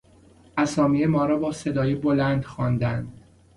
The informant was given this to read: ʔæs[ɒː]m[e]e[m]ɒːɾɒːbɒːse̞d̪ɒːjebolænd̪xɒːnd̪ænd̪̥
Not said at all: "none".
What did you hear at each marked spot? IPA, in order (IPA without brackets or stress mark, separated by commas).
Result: ɒː, i, m